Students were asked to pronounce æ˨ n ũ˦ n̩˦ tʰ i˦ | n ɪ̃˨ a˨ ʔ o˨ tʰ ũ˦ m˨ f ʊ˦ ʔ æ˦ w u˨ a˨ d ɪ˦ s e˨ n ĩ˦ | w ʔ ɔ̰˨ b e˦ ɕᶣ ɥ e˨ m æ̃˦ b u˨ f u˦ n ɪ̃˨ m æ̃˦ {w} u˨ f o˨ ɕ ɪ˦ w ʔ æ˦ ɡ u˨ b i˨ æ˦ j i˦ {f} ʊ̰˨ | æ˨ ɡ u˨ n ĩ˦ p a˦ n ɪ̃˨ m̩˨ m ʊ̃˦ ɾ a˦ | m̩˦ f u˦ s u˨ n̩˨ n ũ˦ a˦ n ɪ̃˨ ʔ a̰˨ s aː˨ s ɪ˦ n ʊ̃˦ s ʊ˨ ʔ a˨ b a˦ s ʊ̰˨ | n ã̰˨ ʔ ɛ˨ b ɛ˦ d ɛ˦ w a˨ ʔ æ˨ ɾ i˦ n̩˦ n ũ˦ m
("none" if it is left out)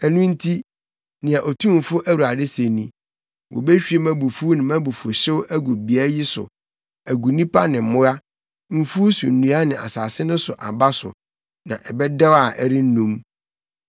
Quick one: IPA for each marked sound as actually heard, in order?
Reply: b, s

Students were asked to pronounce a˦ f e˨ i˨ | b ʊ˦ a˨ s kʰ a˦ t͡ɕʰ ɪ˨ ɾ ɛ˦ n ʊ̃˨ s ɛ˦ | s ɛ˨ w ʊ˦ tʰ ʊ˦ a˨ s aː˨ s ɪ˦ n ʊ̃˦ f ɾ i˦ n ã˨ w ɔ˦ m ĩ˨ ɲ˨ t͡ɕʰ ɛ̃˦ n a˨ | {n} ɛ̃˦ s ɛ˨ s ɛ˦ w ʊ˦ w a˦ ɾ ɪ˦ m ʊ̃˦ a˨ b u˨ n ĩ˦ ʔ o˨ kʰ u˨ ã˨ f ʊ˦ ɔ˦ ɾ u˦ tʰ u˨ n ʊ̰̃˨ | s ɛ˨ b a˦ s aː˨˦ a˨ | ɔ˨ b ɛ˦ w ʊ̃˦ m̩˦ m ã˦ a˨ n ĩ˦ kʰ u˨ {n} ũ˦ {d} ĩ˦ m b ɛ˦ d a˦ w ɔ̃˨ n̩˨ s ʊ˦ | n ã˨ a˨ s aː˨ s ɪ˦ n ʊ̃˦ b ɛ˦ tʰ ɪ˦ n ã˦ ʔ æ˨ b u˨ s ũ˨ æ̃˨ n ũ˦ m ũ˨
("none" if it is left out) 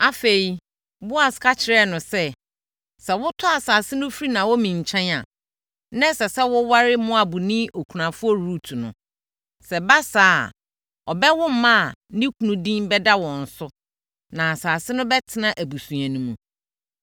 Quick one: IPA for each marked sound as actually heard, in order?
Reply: n, n, d

